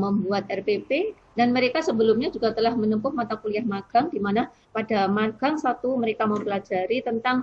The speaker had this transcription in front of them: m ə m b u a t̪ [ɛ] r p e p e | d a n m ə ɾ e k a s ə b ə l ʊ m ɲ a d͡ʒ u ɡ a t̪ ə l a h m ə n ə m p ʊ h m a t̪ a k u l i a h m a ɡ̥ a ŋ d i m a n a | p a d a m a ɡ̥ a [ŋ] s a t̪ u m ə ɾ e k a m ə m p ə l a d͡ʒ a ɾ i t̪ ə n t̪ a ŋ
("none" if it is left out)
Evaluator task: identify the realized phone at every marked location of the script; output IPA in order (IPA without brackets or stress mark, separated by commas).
ɛ, ŋ